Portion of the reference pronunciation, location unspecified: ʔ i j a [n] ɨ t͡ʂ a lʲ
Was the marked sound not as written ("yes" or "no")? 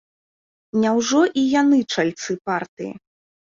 no